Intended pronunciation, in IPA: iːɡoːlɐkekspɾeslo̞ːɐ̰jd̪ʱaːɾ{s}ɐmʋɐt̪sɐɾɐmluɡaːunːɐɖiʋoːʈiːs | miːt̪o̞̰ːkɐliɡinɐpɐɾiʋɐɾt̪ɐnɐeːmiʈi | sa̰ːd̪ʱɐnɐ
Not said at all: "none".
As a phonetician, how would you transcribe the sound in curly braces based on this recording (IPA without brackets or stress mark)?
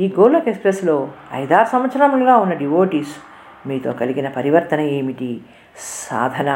s